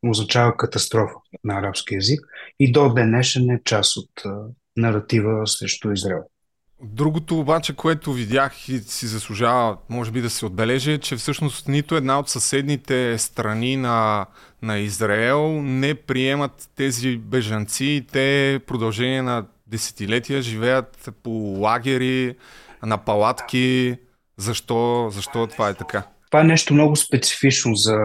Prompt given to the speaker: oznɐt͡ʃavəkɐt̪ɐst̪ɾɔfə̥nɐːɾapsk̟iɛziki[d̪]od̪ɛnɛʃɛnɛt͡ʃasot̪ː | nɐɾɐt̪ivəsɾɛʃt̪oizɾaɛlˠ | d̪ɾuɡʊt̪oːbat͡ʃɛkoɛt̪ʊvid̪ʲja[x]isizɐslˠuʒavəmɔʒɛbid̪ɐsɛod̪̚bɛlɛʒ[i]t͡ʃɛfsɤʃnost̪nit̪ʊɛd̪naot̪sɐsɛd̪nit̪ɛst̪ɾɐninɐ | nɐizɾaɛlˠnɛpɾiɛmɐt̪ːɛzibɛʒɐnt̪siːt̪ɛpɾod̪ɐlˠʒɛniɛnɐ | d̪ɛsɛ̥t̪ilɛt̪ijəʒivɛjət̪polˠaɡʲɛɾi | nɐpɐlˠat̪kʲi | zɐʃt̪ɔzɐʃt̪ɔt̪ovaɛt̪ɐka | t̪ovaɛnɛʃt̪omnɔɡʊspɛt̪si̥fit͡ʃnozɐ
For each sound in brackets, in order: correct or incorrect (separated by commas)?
correct, correct, incorrect